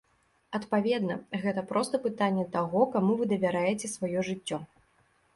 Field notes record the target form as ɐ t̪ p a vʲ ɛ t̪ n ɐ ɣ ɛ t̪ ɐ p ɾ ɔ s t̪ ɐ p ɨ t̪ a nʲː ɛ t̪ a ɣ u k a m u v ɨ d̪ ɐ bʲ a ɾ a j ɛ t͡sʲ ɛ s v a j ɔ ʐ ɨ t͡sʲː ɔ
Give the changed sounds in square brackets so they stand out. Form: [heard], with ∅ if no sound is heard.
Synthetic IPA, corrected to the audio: ɐ t̪ p a vʲ ɛ [d̪] n ɐ ɣ ɛ t̪ ɐ p ɾ ɔ s t̪ ɐ p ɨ t̪ a nʲː ɛ t̪ a ɣ [ɔ] k a m u v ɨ d̪ ɐ [vʲ] a ɾ a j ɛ t͡sʲ ɛ s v a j ɔ ʐ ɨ t͡sʲː ɔ